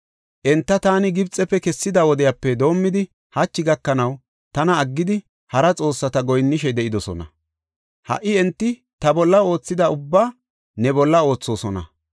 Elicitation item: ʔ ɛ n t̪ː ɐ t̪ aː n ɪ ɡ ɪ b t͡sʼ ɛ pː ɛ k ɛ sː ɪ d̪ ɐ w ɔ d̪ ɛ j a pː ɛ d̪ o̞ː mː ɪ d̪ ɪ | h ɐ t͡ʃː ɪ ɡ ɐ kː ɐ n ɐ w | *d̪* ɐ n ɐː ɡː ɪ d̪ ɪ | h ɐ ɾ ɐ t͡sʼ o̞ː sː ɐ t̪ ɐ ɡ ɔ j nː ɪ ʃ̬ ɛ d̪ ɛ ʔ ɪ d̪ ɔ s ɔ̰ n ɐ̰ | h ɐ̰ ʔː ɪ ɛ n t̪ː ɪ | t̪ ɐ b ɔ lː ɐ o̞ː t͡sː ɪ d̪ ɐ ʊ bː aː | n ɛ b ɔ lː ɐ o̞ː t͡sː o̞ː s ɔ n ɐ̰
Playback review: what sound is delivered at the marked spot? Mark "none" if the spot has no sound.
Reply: t̪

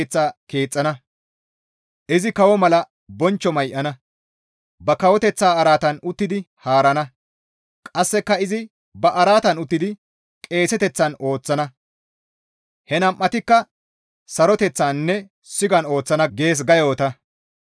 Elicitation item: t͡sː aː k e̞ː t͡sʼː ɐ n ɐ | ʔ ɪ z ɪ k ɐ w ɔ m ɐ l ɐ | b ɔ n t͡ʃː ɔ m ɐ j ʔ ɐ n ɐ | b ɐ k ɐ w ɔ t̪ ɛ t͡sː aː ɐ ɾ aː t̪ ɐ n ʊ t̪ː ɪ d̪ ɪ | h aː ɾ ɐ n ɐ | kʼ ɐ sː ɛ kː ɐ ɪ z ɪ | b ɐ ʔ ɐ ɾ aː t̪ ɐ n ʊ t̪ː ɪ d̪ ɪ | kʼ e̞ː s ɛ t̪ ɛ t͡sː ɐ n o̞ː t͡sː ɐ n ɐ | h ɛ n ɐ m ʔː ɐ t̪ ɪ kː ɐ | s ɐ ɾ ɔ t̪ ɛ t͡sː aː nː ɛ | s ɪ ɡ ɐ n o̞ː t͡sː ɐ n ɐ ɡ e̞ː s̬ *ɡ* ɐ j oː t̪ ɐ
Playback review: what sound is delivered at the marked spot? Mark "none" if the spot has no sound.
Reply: ɡ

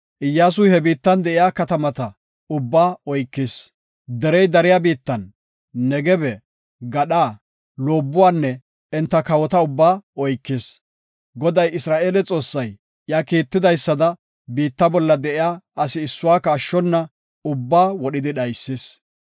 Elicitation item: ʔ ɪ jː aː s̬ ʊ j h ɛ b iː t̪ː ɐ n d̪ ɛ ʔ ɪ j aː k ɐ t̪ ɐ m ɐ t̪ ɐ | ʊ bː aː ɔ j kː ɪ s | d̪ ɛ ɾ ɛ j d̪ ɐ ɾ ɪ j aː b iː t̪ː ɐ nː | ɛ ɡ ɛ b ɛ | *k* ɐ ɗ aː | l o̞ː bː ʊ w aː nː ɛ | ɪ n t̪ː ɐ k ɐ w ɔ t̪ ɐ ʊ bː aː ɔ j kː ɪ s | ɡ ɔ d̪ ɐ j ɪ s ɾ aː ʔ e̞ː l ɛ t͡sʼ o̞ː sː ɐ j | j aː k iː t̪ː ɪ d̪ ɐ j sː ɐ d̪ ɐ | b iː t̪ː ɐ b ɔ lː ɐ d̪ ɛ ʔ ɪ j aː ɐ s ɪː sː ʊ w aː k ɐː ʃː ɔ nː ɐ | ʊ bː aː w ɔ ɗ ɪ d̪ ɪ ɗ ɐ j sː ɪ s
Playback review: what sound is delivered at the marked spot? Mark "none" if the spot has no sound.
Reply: ɡ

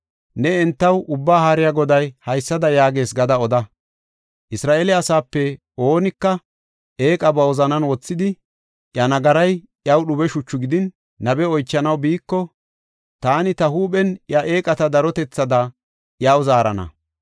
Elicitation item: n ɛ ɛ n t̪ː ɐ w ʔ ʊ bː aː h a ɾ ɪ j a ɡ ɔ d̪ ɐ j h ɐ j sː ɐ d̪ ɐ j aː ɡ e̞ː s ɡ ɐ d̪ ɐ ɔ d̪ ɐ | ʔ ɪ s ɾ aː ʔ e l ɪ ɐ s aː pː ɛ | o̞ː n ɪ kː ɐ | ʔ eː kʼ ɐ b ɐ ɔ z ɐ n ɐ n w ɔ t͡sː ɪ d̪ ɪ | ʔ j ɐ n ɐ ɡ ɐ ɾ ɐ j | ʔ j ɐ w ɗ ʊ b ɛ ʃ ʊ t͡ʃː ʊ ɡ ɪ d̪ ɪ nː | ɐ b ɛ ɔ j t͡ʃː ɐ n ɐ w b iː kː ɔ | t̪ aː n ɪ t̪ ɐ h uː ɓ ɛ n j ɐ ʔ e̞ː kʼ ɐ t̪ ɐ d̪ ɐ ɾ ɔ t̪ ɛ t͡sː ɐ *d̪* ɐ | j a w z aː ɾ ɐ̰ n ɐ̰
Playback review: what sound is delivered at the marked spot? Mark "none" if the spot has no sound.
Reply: d̪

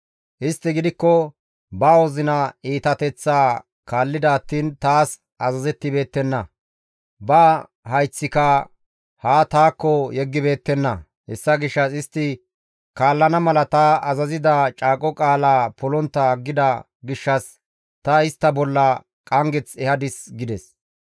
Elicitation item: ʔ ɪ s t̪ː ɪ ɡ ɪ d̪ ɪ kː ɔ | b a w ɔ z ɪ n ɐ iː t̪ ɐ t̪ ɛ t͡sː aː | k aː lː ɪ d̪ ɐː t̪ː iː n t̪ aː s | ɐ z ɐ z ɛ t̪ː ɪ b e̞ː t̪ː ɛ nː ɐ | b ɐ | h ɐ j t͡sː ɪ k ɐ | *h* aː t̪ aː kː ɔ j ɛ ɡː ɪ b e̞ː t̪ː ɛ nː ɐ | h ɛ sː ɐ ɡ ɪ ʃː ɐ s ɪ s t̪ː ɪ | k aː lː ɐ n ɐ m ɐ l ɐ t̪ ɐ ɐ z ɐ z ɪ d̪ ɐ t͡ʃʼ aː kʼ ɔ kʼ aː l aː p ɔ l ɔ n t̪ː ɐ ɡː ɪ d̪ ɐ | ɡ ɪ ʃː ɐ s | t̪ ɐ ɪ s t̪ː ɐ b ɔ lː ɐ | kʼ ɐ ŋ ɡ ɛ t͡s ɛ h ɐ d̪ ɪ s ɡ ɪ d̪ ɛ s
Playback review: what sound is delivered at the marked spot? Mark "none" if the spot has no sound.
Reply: h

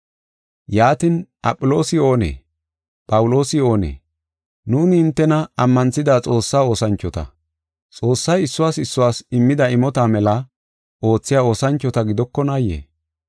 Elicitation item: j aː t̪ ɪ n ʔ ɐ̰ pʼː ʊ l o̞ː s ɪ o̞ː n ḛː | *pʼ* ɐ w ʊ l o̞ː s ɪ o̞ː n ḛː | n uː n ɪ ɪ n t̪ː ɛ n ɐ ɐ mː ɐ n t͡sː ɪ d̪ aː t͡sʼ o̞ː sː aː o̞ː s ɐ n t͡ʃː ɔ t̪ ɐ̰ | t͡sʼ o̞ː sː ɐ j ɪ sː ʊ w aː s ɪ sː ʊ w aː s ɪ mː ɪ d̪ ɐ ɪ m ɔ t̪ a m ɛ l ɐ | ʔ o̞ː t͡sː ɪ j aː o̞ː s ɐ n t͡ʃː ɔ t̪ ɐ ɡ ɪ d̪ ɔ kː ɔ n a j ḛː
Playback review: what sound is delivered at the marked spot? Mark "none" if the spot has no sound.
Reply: pʼ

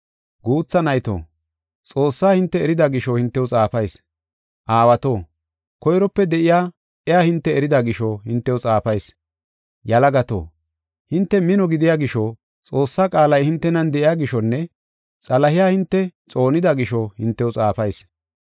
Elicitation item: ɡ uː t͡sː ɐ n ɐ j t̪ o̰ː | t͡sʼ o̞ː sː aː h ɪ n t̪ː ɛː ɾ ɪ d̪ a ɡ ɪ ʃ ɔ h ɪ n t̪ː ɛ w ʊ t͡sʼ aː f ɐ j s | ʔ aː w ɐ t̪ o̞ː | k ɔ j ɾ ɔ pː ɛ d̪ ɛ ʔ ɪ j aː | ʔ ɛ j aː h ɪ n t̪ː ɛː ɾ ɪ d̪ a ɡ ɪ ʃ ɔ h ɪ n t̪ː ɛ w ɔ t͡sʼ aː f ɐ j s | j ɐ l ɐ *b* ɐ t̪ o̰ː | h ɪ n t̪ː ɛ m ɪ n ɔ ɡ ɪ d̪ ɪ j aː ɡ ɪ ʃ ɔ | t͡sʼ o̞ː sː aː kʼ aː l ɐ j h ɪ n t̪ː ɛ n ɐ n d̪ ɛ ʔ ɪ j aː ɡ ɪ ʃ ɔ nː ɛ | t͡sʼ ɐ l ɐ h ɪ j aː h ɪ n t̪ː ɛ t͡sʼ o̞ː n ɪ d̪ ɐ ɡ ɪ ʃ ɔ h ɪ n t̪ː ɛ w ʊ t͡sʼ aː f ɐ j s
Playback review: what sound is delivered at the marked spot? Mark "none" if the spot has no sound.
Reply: ɡ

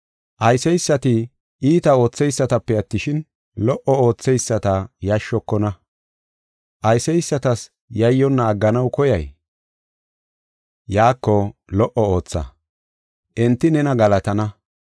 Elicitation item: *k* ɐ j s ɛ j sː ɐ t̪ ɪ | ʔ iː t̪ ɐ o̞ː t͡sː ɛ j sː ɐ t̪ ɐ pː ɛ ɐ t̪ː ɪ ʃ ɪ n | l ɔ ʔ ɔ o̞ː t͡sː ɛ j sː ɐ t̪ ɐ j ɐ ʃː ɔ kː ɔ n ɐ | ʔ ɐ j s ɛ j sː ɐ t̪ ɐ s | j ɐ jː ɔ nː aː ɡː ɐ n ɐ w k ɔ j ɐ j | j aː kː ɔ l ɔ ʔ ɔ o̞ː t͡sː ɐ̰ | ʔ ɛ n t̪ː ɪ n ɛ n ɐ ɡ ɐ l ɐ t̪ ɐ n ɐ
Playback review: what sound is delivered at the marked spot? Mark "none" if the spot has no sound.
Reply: ʔ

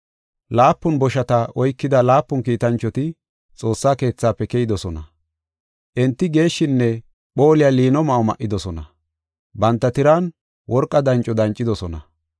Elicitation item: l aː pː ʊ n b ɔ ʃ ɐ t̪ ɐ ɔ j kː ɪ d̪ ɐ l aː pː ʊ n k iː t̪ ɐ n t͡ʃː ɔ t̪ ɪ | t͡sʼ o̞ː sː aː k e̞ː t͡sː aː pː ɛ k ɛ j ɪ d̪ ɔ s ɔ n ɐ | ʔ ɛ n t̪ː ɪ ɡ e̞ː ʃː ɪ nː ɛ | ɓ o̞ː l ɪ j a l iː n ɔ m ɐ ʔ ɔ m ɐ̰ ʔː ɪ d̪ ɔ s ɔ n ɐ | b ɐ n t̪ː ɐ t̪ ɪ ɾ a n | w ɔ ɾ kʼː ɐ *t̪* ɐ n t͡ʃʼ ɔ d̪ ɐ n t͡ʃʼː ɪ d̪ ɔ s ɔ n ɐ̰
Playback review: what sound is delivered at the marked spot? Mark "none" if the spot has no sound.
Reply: d̪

